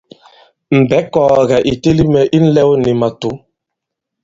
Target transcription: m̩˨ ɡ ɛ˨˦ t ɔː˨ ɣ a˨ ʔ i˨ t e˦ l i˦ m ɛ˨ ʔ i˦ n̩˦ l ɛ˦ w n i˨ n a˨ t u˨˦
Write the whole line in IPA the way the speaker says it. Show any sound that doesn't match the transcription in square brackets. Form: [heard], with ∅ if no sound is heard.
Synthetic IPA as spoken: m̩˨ [b] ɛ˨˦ [k] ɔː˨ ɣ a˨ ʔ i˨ t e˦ l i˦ m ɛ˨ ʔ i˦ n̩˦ l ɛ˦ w n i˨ [m] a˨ t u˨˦